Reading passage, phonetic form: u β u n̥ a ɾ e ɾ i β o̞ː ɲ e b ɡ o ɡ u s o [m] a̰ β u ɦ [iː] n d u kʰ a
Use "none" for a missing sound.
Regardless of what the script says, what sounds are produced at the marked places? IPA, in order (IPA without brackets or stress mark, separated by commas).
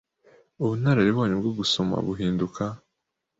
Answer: m, iː